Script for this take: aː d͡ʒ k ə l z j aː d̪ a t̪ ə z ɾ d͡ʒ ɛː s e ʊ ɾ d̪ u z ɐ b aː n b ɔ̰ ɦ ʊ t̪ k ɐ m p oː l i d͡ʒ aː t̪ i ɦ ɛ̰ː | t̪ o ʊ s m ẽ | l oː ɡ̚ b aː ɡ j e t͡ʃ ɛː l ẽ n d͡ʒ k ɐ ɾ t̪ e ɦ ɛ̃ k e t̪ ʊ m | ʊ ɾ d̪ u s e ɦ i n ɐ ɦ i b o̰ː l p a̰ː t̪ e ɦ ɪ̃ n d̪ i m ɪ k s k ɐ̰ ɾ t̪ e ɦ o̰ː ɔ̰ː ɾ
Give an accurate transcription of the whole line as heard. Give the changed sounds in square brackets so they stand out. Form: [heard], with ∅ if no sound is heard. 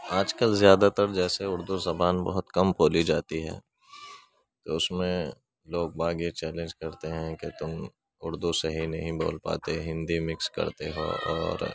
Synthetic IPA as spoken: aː d͡ʒ k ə l z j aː d̪ a t̪ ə [∅] ɾ d͡ʒ ɛː s e ʊ ɾ d̪ u z ɐ b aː n b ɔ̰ ɦ ʊ t̪ k ɐ m p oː l i d͡ʒ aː t̪ i ɦ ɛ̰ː | t̪ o ʊ s m ẽ | l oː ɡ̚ b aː ɡ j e t͡ʃ ɛː l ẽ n d͡ʒ k ɐ ɾ t̪ e ɦ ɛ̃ k e t̪ ʊ m | ʊ ɾ d̪ u s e ɦ i n ɐ ɦ [ĩ] b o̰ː l p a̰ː t̪ e ɦ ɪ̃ n d̪ i m ɪ k s k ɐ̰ ɾ t̪ e ɦ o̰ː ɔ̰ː ɾ

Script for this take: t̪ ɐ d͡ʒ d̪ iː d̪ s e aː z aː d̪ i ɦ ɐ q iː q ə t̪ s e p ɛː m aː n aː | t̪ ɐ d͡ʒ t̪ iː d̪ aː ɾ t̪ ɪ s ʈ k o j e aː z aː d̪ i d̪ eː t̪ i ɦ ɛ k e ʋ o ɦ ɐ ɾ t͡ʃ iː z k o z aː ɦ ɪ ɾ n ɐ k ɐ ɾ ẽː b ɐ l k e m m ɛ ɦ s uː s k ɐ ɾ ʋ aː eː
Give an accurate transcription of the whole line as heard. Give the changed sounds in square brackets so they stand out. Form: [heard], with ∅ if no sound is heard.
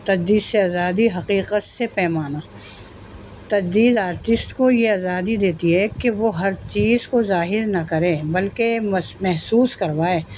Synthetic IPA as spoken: t̪ ɐ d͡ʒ d̪ iː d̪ s e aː z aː d̪ i ɦ ɐ q iː q ə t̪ s e p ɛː m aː n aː | t̪ ɐ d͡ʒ [d̪] iː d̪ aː ɾ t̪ ɪ s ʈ k o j e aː z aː d̪ i d̪ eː t̪ i ɦ ɛ k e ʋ o ɦ ɐ ɾ t͡ʃ iː z k o z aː ɦ ɪ ɾ n ɐ k ɐ ɾ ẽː b ɐ l k e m m ɛ ɦ s uː s k ɐ ɾ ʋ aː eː

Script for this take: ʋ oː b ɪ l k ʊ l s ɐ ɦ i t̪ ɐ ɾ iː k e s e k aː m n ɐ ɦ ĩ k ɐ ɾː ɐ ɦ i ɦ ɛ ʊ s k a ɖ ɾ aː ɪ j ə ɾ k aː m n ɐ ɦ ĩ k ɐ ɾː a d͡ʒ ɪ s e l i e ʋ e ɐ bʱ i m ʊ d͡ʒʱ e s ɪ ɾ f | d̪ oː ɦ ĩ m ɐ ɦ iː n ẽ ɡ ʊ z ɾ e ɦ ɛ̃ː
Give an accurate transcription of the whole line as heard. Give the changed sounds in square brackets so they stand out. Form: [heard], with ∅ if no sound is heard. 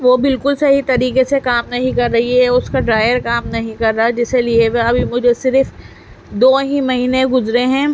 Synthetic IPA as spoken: ʋ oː b ɪ l k ʊ l s ɐ ɦ i t̪ ɐ ɾ iː k e s e k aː m n ɐ ɦ ĩ k ɐ ɾː ɐ ɦ i ɦ ɛ ʊ s k a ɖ ɾ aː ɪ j ə ɾ k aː m n ɐ ɦ ĩ k ɐ ɾː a d͡ʒ ɪ s e l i e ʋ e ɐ bʱ i m ʊ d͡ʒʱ e s ɪ ɾ f | d̪ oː ɦ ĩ m ɐ ɦ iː n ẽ ɡ ʊ z ɾ e ɦ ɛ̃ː

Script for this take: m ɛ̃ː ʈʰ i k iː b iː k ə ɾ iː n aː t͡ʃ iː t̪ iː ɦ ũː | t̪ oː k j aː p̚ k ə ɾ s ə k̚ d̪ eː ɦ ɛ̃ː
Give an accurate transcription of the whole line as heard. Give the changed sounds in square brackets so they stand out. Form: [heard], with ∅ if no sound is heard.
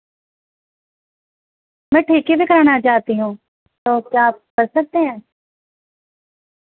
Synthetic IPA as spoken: m ɛ̃ː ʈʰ [iː] k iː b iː k ə ɾ [aː] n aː t͡ʃ [aː] t̪ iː ɦ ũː | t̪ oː k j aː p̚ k ə ɾ s ə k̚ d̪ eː ɦ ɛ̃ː

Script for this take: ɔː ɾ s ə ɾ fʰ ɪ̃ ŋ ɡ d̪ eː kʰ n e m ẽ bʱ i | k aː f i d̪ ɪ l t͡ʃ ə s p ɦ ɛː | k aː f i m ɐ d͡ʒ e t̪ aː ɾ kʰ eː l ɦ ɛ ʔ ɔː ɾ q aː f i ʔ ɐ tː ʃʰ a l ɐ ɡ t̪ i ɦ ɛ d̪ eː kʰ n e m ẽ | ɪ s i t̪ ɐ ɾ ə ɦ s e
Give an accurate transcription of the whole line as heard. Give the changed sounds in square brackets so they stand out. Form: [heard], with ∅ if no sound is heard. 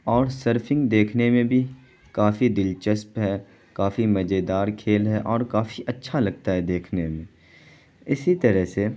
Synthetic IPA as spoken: ɔː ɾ s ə ɾ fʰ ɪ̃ ŋ ɡ d̪ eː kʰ n e m ẽ bʱ i | k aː f i d̪ ɪ l t͡ʃ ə s p ɦ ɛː | k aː f i m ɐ d͡ʒ e [d̪] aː ɾ kʰ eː l ɦ ɛ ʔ ɔː ɾ [k] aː f i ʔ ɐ tː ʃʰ a l ɐ ɡ t̪ [a] ɦ ɛ d̪ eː kʰ n e m ẽ | ɪ s i t̪ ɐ ɾ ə ɦ s e

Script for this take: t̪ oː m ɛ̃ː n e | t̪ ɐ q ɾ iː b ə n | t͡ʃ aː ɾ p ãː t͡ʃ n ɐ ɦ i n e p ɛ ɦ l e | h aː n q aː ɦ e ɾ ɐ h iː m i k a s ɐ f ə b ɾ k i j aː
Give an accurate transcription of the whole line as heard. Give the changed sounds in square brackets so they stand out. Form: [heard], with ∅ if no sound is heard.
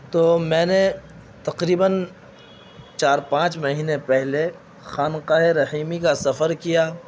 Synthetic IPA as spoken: t̪ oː m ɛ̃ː n e | t̪ ɐ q ɾ iː b ə n | t͡ʃ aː ɾ p ãː t͡ʃ [m] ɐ ɦ [iː] n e p ɛ ɦ l e | [x] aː n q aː ɦ e ɾ ɐ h iː m i k a s ɐ f ə [∅] ɾ k i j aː

